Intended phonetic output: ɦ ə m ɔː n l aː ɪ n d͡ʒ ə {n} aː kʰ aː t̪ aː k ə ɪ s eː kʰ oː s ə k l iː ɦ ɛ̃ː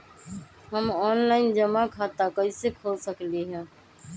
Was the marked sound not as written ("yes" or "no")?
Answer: yes